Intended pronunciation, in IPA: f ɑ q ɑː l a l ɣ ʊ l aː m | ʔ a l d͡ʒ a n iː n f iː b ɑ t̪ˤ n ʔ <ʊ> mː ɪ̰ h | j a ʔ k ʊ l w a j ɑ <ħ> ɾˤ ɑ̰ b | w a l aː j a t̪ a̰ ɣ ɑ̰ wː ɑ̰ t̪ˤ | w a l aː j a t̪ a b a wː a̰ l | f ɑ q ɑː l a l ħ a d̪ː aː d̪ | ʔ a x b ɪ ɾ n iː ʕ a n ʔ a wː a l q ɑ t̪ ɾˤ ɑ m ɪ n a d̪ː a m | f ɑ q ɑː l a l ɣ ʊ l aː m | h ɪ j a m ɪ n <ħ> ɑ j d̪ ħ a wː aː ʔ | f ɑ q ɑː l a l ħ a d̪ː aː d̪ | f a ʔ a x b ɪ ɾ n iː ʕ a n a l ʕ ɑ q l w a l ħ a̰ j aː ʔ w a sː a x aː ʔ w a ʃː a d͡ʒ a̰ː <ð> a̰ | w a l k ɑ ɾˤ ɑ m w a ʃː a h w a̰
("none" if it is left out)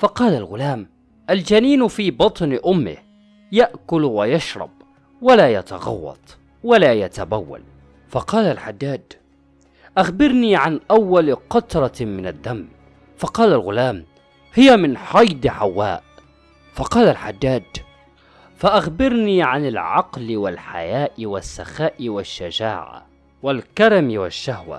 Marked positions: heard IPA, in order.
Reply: ʊ, ʃ, ħ, ʕ

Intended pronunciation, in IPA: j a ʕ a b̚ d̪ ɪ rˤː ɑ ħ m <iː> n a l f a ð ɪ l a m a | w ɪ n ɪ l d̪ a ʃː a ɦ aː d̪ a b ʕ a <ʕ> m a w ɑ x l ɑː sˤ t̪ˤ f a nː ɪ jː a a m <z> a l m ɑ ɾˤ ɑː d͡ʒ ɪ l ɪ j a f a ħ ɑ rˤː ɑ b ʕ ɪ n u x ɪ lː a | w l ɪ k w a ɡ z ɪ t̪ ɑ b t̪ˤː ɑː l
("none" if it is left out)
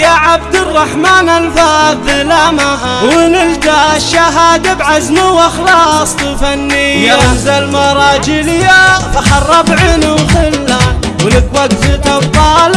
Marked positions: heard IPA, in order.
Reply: aː, z, z

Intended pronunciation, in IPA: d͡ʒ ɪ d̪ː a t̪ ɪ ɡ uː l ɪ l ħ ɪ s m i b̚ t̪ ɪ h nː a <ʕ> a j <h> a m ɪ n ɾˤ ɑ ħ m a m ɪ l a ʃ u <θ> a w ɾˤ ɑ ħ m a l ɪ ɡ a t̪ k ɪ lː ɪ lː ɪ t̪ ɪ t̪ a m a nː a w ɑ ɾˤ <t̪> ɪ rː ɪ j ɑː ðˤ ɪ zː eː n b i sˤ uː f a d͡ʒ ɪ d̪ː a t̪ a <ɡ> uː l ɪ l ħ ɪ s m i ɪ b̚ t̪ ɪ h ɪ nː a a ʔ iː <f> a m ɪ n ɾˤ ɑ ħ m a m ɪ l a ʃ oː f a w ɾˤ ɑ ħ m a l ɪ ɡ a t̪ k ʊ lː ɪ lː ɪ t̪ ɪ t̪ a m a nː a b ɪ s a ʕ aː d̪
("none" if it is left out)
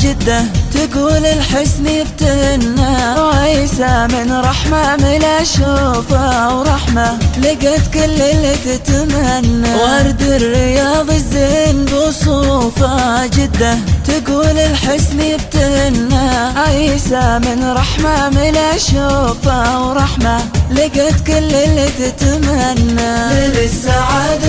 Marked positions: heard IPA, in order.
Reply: ʕ, s, f, d̪, ɡ, s

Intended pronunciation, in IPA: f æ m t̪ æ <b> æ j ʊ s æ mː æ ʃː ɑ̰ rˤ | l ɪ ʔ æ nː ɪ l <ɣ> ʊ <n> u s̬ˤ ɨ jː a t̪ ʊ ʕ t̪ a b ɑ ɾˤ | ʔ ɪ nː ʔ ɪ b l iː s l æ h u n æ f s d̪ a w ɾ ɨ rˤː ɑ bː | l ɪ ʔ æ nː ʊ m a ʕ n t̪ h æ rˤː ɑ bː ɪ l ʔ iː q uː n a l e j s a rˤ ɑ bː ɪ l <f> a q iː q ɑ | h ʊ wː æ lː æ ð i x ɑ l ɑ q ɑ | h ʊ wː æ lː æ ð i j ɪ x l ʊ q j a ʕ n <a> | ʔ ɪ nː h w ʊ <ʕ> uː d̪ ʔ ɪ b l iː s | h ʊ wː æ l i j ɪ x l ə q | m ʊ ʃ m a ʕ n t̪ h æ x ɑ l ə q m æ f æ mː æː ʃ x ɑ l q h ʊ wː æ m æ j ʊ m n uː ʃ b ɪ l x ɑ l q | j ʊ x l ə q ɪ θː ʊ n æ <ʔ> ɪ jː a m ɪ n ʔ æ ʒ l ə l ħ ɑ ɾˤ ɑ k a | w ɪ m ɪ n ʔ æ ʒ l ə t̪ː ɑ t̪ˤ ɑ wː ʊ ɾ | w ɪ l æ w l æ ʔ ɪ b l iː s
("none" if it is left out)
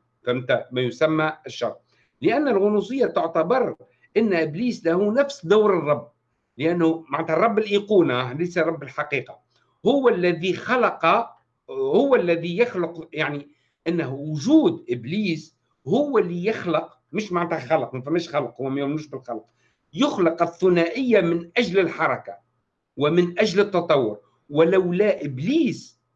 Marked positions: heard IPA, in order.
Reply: m, ɣ, n, ħ, i, ʒ, ʔ

